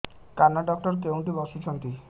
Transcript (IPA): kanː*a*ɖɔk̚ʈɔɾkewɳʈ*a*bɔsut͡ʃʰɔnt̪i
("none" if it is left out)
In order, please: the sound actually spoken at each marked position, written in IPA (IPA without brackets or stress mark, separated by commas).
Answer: a, i